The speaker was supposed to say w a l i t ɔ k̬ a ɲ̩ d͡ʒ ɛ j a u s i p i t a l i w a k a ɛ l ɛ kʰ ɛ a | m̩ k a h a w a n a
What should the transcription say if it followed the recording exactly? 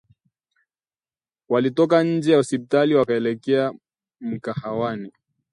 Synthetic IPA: w a l i t ɔ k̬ a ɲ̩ d͡ʒ ɛ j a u s i p i t a l i w a k a ɛ l ɛ k ɛ a | m̩ k a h a w a n i